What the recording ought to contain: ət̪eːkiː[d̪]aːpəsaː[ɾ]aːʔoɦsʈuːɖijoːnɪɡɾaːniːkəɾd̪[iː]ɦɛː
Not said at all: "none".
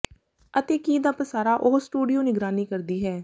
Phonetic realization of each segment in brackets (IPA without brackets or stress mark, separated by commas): d̪, ɾ, iː